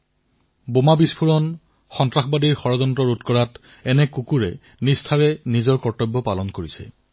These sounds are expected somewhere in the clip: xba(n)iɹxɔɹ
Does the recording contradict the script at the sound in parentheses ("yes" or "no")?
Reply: yes